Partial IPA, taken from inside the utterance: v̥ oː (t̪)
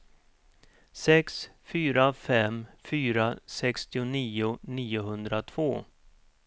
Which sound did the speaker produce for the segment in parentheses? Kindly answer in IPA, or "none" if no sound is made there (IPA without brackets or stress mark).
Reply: none